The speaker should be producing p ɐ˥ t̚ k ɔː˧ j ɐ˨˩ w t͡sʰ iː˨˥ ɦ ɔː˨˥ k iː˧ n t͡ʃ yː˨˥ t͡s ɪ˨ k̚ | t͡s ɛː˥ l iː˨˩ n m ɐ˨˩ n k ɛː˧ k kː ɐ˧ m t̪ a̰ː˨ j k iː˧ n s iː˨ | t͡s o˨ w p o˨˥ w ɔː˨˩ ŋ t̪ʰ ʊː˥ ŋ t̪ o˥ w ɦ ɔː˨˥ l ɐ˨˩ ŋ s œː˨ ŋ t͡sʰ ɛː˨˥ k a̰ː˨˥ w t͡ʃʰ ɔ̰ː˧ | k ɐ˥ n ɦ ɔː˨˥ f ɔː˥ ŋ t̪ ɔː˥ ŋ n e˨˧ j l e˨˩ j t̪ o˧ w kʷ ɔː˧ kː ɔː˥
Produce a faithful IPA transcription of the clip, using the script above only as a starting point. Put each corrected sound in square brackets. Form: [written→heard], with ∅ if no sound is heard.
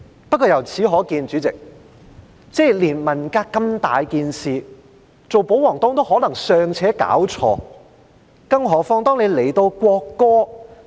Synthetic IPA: p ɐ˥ t̚ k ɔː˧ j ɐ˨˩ w t͡sʰ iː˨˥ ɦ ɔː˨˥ k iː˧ n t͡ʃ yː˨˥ t͡s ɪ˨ k̚ | t͡s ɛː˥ l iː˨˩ n m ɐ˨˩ n k [ɛː˧→aː˧] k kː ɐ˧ m t̪ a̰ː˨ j k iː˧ n s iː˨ | t͡s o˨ w p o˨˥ w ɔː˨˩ ŋ [t̪ʰ→t̪] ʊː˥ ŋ t̪ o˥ w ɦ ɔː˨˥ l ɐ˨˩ ŋ s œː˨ ŋ t͡sʰ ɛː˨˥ k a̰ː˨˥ w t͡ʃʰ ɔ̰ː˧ | k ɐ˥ [n→ŋ] ɦ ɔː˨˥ f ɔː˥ ŋ t̪ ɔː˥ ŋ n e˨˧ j l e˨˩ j t̪ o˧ w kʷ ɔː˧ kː ɔː˥